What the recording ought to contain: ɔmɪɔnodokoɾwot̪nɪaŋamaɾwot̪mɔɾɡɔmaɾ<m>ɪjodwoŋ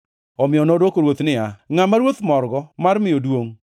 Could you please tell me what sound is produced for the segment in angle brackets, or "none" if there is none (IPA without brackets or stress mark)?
m